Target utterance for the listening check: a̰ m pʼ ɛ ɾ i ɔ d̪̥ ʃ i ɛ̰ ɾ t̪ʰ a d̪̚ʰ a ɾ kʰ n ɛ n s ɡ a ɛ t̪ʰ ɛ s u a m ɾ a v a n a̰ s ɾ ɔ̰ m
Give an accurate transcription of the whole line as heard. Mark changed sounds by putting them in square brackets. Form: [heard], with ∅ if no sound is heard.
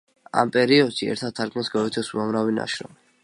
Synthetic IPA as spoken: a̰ m pʼ ɛ ɾ i ɔ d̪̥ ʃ i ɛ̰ ɾ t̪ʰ a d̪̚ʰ a ɾ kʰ [m] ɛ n s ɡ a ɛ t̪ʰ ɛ s u a m ɾ a v [i] n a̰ [ʃ] ɾ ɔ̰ m